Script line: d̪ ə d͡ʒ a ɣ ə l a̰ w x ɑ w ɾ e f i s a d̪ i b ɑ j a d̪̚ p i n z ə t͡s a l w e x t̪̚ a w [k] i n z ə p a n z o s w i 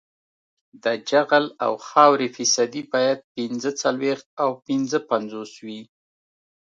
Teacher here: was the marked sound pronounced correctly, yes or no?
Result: no